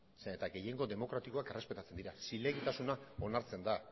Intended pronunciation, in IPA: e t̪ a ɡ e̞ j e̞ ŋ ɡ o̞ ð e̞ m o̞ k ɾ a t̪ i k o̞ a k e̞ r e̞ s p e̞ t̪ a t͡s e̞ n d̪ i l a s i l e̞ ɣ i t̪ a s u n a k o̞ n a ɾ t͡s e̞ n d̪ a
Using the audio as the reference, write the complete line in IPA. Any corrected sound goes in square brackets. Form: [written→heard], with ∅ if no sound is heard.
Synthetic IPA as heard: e t̪ a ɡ e̞ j e̞ ŋ ɡ o̞ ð e̞ m o̞ k ɾ a t̪ i k o̞ a k e̞ r e̞ s p e̞ t̪ a t͡s e̞ n d̪ i [l→ɾ] a s i l e̞ ɣ i t̪ a s u n a [k→∅] o̞ n a ɾ t͡s e̞ n d̪ a